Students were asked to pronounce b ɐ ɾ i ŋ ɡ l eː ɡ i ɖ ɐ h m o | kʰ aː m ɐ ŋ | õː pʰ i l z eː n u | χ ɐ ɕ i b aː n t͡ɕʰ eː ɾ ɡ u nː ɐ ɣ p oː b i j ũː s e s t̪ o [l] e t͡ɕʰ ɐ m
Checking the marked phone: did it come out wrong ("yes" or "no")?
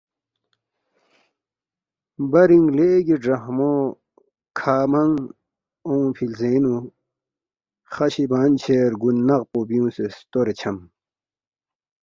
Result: yes